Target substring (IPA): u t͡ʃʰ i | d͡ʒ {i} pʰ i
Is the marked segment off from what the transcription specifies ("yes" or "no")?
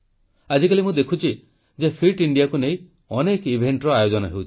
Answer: yes